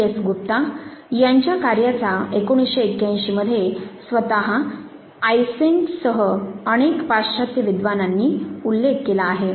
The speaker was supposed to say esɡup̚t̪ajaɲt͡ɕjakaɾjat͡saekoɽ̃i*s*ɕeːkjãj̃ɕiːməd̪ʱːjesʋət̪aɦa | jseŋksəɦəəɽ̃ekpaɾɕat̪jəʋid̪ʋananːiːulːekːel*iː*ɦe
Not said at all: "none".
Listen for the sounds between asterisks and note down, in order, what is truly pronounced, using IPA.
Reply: s, aː

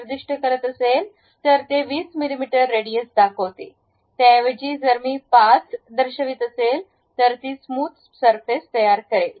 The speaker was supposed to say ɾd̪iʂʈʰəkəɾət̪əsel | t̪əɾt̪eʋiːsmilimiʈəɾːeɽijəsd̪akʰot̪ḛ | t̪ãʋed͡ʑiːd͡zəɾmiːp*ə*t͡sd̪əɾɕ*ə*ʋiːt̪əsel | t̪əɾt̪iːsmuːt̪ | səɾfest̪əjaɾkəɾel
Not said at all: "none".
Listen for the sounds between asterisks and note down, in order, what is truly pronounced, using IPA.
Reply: a, ə

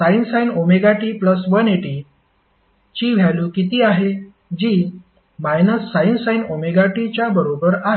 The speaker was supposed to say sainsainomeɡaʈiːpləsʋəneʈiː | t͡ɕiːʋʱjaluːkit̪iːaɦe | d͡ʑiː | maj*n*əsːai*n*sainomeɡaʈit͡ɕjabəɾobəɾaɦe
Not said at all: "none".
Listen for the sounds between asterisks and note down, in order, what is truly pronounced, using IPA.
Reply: n, n

